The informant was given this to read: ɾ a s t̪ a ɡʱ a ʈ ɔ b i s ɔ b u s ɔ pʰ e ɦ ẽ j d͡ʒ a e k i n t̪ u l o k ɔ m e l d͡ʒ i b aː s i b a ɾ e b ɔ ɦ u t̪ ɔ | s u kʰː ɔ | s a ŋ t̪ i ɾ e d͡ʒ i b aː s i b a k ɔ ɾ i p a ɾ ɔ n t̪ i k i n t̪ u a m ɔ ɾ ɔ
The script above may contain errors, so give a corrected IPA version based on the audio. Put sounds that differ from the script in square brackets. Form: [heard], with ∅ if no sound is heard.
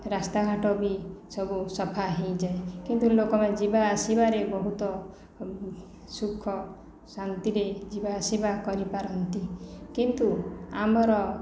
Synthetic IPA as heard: ɾ a s t̪ a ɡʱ a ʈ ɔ b i s ɔ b u s ɔ pʰ [a] ɦ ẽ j d͡ʒ a e k i n t̪ u l o k ɔ m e [∅] d͡ʒ i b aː s i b a ɾ e b ɔ ɦ u t̪ ɔ | s u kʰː ɔ | s a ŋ t̪ i ɾ e d͡ʒ i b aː s i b a k ɔ ɾ i p a ɾ ɔ n t̪ i k i n t̪ u a m ɔ ɾ ɔ